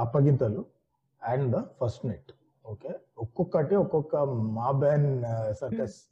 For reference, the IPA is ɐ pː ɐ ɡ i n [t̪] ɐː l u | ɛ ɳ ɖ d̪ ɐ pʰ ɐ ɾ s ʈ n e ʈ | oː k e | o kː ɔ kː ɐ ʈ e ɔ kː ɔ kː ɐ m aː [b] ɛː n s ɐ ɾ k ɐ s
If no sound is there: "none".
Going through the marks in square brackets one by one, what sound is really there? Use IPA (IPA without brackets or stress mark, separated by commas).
t̪, b